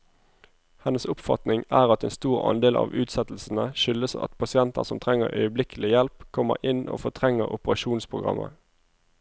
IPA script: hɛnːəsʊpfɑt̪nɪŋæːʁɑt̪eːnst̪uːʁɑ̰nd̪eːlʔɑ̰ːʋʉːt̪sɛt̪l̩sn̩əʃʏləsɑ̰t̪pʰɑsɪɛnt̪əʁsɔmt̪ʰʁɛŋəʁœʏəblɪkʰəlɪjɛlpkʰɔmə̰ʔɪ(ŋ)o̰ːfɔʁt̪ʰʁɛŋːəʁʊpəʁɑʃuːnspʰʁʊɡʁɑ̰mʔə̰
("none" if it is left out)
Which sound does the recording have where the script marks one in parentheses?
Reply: n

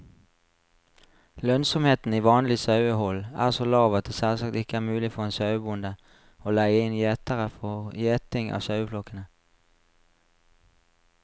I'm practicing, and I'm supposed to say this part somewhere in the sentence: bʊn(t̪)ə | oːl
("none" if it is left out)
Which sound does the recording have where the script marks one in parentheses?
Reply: d̪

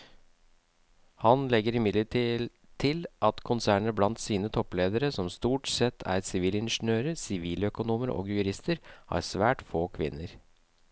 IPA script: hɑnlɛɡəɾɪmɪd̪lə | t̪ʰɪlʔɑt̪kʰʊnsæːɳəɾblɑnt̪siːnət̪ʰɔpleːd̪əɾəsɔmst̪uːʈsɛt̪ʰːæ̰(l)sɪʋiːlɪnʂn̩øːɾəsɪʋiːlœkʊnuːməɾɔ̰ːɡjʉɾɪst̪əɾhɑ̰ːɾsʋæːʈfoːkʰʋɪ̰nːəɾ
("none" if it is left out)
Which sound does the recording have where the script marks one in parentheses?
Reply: ɾ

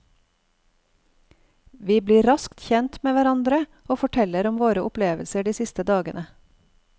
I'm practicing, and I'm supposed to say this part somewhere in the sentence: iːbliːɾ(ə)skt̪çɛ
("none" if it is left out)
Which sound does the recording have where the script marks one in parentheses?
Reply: ɑ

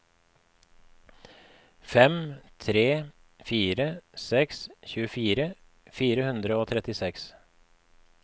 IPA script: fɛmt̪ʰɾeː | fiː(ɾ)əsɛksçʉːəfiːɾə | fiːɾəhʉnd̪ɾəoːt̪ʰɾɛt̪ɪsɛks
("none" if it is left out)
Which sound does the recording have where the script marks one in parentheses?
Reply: ɾ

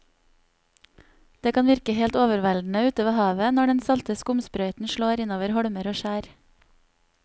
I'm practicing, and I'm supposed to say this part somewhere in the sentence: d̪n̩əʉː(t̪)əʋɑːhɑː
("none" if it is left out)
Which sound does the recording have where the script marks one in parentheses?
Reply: t̪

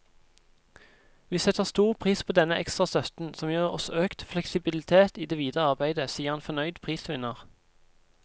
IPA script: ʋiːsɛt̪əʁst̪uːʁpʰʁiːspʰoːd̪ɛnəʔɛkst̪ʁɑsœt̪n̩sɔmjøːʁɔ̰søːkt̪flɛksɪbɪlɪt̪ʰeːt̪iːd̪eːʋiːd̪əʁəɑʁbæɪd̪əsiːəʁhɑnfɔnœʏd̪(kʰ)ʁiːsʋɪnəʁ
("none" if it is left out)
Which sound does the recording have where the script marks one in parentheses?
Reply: pʰ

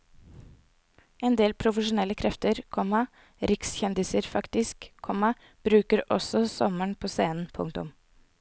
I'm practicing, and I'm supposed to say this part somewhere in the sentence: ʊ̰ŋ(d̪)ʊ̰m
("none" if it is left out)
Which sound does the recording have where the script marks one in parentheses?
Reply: t̪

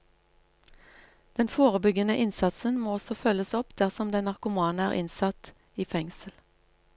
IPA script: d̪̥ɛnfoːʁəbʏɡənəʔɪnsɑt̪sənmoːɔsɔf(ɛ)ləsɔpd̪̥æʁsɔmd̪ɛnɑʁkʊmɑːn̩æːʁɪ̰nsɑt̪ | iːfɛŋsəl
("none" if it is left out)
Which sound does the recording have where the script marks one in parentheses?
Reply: œ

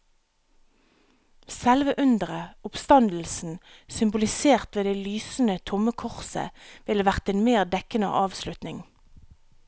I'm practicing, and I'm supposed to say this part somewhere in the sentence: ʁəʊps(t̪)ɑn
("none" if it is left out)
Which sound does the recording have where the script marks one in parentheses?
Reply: t̪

